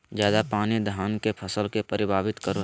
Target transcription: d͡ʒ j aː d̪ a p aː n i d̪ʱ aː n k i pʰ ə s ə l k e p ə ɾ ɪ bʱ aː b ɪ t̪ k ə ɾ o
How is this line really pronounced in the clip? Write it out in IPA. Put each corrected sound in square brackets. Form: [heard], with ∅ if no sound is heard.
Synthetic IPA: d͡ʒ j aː d̪ a p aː n i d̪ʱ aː n k [e] pʰ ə s ə l k e p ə ɾ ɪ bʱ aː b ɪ t̪ k ə ɾ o